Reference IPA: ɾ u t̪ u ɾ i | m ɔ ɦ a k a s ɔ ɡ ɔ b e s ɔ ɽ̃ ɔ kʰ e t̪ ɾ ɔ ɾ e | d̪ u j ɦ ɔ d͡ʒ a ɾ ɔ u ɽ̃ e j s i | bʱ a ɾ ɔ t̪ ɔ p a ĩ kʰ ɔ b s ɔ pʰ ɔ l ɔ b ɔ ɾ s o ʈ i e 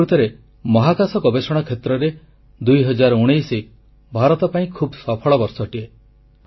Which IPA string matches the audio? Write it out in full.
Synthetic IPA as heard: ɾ u t̪ ɔ ɾ e | m ɔ ɦ a k a s ɔ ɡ ɔ b e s ɔ ɽ̃ ɔ kʰ e t̪ ɾ ɔ ɾ e | d̪ u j ɦ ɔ d͡ʒ a ɾ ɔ u ɽ̃ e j s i | bʱ a ɾ ɔ t̪ ɔ p a ĩ kʰ u b s ɔ pʰ ɔ ɭ ɔ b ɔ ɾ s ɔ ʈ i e